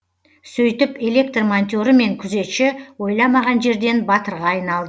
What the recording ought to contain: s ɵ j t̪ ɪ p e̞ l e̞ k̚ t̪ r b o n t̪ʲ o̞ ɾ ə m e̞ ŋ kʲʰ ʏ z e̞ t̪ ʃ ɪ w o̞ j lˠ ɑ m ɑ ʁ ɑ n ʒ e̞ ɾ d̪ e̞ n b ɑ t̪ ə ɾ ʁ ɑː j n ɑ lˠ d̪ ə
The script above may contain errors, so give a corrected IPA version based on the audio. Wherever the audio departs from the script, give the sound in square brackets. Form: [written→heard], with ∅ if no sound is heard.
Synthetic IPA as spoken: s ɵ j t̪ ɪ p e̞ l e̞ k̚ t̪ r [b→m] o n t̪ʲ o̞ ɾ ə m e̞ ŋ kʲʰ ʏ z e̞ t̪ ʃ ɪ w o̞ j lˠ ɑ m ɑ ʁ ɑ n ʒ e̞ ɾ d̪ e̞ n b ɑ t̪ ə ɾ ʁ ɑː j n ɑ lˠ d̪ ə